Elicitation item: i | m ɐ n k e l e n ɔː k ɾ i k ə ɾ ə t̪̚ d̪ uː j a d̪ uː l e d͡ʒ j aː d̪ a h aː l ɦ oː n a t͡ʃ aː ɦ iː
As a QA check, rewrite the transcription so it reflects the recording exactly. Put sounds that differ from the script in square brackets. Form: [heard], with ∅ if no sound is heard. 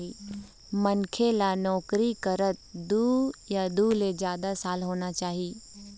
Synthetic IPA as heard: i | m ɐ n [kʰ] e l [a] n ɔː k ɾ i k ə ɾ ə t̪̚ d̪ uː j a d̪ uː l e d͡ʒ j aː d̪ a [s] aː l ɦ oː n a t͡ʃ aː ɦ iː